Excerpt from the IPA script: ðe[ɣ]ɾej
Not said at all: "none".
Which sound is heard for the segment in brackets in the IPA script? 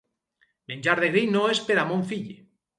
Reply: ɣ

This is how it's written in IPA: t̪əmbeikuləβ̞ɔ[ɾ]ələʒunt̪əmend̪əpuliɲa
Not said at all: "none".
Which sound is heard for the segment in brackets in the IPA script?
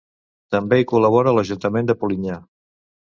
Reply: ɾ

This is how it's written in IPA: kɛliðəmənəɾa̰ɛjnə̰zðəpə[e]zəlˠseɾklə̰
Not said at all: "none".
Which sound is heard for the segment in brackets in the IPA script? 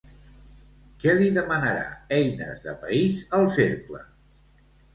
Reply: i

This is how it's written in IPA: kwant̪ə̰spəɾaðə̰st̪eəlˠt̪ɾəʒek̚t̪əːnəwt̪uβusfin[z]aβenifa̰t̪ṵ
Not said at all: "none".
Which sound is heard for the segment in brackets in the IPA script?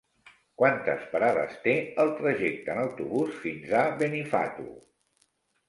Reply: z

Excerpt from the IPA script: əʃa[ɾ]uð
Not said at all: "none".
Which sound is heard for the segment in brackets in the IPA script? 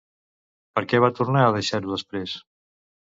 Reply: ɾ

